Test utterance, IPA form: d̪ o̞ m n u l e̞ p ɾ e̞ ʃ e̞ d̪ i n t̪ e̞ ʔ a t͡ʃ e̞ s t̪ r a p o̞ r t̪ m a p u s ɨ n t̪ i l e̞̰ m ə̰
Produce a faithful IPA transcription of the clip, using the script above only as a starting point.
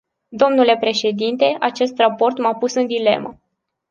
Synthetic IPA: d̪ o̞ m n u l e̞ p ɾ e̞ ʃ e̞ d̪ i n t̪ e̞ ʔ a t͡ʃ e̞ s t̪ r a p o̞ r t̪ m a p u s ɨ n d̪ i l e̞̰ m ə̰